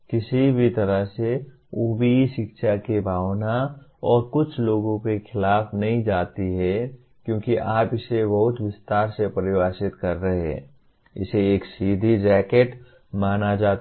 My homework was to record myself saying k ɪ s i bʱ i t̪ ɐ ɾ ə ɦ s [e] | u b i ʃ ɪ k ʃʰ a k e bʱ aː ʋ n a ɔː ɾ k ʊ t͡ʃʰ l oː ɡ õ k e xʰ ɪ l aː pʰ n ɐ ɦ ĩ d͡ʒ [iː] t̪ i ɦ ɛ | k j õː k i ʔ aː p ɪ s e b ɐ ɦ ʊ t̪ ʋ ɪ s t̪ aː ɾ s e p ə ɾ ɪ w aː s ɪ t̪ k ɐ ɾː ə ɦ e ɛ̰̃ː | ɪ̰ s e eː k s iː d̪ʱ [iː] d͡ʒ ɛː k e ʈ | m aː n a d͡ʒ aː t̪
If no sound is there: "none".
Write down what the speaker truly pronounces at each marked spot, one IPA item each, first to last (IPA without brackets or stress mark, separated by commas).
e, aː, i